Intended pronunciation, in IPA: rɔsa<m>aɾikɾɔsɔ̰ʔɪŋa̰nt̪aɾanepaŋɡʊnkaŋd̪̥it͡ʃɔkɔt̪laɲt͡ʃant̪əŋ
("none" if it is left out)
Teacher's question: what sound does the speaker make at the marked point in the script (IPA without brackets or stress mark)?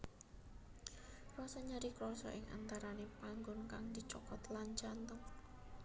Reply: ɲ